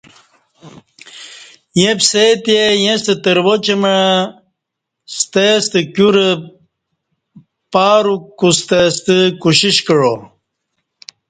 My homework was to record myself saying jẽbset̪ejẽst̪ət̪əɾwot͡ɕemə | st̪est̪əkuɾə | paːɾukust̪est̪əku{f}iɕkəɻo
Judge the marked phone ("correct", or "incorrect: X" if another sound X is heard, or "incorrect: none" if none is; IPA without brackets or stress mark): incorrect: ɕ